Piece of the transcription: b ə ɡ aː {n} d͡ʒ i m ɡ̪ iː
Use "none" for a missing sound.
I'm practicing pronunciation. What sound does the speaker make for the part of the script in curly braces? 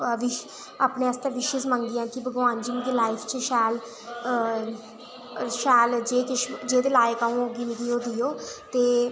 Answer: n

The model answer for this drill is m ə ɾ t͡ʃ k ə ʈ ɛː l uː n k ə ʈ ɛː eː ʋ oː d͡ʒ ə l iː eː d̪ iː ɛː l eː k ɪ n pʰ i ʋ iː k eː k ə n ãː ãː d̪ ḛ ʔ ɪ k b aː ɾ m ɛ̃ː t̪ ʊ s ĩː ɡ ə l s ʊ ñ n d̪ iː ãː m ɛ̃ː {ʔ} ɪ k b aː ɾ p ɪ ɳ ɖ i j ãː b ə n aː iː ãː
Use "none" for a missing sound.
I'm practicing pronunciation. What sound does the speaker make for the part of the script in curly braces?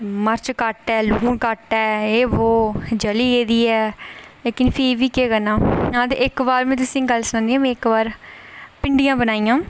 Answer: none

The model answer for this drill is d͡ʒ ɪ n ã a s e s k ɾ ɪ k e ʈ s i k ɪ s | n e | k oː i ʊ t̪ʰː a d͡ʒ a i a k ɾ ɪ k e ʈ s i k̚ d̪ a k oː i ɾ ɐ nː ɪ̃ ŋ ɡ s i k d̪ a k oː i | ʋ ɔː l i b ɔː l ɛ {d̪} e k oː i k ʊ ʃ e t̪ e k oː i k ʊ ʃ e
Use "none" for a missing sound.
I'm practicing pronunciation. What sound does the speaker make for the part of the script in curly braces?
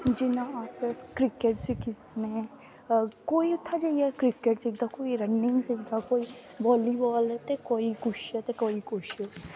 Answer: t̪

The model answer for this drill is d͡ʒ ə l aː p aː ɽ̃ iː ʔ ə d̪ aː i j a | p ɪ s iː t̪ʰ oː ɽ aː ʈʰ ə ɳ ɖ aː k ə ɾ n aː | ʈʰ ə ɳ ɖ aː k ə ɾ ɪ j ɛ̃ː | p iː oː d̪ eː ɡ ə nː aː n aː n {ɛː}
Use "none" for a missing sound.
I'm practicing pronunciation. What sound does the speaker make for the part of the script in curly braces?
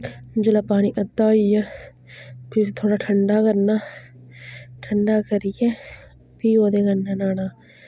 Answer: aː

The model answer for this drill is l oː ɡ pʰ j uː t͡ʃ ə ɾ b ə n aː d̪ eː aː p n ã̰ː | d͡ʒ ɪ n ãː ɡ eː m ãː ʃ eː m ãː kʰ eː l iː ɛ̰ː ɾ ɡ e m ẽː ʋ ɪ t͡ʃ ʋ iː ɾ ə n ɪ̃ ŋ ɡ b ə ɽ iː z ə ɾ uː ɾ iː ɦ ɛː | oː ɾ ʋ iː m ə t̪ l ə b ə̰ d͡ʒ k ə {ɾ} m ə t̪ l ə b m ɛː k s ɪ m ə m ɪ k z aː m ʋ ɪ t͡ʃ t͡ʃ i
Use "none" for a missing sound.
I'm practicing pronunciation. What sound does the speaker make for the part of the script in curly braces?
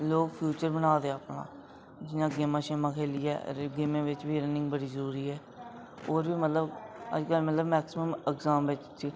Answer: l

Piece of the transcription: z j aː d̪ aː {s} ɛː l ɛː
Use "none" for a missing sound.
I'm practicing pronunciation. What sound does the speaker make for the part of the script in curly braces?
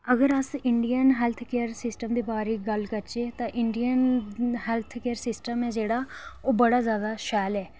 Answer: ʃ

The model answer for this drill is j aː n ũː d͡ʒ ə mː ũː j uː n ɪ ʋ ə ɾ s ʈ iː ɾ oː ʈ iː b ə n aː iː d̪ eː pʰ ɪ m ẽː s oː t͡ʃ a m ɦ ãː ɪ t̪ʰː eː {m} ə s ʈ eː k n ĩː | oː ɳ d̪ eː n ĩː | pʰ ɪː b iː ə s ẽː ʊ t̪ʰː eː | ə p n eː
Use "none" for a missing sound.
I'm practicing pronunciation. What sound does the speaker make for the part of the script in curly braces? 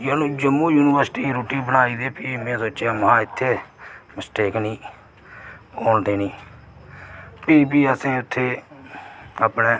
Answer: m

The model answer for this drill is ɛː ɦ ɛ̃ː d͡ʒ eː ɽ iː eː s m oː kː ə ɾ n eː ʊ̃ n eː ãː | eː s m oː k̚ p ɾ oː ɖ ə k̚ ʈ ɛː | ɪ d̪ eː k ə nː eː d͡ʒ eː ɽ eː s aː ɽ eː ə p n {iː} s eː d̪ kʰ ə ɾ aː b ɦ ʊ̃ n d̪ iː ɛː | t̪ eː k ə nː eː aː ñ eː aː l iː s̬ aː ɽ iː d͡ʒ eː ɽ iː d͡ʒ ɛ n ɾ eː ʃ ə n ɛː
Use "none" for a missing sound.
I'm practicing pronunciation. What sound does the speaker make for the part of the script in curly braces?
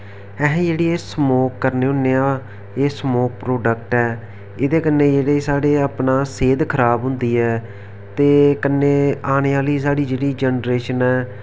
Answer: aː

